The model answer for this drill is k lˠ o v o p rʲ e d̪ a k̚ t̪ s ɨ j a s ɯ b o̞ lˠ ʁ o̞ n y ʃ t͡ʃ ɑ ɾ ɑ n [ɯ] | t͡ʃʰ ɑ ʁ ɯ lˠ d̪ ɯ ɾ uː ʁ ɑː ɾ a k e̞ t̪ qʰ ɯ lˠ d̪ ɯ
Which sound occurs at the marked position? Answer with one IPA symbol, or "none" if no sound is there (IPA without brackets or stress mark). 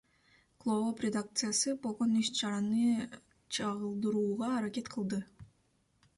ɯ